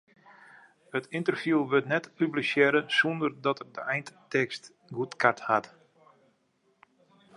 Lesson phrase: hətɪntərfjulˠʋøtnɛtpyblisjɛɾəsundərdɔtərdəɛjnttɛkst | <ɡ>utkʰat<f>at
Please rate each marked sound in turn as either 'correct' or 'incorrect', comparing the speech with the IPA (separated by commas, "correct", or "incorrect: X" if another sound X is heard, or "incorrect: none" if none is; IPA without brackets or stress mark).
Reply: correct, incorrect: h